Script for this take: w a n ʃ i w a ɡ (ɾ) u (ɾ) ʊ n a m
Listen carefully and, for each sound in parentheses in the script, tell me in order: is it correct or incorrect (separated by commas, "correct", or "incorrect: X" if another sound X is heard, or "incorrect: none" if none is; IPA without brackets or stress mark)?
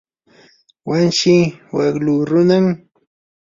incorrect: l, correct